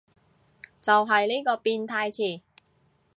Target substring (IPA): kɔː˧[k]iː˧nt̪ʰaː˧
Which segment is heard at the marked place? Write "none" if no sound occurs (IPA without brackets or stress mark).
p